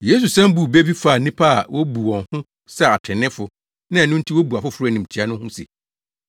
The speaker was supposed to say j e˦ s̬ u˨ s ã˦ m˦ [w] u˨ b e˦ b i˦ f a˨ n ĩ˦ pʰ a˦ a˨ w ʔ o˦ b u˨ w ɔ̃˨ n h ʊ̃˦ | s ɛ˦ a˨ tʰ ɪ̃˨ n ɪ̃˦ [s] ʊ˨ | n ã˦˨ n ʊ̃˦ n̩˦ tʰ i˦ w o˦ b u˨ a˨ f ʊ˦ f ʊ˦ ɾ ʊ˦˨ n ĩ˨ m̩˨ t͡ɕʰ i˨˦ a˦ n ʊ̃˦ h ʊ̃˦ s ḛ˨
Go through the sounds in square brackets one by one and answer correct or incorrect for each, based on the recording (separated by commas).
incorrect, incorrect